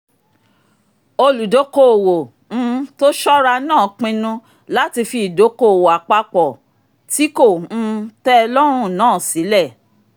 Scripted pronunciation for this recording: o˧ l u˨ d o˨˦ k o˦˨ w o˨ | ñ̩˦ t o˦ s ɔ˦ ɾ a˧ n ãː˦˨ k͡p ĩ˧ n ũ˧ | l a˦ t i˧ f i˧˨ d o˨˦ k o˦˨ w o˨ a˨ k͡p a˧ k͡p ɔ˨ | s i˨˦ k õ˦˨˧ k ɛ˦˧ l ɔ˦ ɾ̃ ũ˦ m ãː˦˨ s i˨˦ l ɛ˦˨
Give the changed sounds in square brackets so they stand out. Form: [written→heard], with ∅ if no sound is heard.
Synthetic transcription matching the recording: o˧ l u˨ d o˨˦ k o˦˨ w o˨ | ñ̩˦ t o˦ [s→ʃ] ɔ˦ ɾ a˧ n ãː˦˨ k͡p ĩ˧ n ũ˧ | l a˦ t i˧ f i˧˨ d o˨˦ k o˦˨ w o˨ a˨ k͡p a˧ k͡p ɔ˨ | [s→t] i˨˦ k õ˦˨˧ [k→t] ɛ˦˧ l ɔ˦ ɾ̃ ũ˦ [m→n] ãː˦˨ s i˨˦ l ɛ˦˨